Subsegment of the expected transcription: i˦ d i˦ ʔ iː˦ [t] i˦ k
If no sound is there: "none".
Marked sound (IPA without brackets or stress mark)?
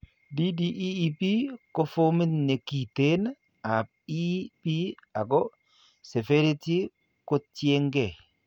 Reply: p